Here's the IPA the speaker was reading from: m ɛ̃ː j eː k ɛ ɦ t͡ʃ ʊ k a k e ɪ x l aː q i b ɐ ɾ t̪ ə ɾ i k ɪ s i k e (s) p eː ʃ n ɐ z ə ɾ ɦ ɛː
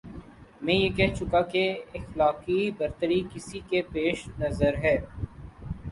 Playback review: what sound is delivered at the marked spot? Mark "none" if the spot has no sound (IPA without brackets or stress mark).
none